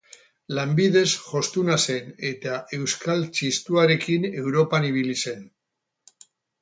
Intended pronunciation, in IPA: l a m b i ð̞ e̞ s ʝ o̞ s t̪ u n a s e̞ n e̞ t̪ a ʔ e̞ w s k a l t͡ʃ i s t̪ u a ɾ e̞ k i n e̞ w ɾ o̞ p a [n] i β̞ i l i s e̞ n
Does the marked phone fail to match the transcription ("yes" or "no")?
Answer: no